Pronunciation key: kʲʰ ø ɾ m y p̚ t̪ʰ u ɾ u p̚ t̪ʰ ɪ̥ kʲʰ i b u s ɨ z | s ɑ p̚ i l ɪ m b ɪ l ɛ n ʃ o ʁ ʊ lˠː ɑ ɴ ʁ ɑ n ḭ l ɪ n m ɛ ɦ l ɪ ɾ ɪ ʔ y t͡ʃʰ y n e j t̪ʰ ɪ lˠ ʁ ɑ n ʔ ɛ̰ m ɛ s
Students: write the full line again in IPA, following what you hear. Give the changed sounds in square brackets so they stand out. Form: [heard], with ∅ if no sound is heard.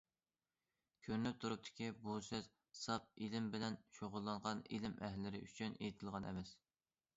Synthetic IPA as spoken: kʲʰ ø ɾ [n] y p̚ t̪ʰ u ɾ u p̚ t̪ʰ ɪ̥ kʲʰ i b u s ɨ z | s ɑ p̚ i l ɪ m b ɪ l ɛ n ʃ o ʁ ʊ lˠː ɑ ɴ ʁ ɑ n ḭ l ɪ [∅] m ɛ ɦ l ɪ ɾ ɪ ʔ y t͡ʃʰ y n e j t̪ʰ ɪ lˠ ʁ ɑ n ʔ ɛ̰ m ɛ s